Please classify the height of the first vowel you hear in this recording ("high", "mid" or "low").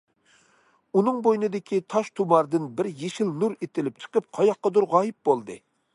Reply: high